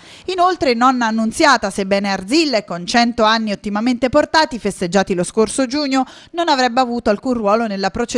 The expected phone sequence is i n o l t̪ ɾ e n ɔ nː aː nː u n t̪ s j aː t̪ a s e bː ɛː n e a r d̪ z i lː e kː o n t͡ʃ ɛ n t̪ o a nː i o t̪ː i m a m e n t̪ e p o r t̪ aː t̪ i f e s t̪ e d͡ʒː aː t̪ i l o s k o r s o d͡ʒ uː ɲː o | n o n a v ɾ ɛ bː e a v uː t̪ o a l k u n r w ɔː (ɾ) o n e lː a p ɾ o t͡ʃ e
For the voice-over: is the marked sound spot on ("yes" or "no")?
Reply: no